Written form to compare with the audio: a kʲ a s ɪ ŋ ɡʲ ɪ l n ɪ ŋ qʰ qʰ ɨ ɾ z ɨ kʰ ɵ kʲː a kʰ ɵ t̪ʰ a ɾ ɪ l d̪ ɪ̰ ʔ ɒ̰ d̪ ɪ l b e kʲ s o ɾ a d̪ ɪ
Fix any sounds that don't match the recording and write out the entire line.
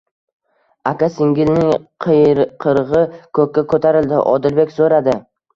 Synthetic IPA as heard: a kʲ a s ɪ ŋ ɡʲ ɪ l n ɪ ŋ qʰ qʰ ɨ ɾ ʁ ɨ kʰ ɵ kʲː a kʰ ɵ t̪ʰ a ɾ ɪ l d̪ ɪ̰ ʔ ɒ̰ d̪ ɪ l b e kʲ s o ɾ a d̪ ɪ